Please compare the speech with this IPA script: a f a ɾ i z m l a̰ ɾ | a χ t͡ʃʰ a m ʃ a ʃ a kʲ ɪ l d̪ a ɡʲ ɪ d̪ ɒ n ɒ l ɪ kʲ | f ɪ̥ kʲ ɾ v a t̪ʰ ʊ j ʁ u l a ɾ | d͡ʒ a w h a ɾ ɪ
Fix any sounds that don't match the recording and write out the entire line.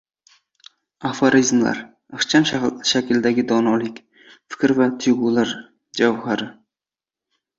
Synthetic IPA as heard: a f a ɾ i z m l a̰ ɾ | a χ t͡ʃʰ a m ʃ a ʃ a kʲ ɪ l d̪ a ɡʲ ɪ d̪ ɒ n ɒ l ɪ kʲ | f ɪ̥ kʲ ɾ v a t̪ʰ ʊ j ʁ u l a ɾ | d͡ʒ a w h a ɾ ɪ